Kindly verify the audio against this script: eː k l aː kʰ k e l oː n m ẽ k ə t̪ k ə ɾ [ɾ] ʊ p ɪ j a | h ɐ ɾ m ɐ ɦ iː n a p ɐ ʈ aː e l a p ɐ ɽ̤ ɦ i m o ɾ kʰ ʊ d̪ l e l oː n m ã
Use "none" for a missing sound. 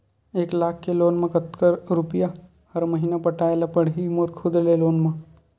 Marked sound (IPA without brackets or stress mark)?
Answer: ɾ